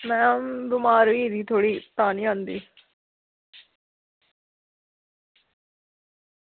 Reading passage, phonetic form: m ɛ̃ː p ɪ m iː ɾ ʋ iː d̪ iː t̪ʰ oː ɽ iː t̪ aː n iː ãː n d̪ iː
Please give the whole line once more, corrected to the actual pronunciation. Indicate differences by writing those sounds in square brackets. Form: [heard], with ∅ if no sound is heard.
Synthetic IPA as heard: m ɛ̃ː [b] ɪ m [aː] ɾ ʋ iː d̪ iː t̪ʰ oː ɽ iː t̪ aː n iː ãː n d̪ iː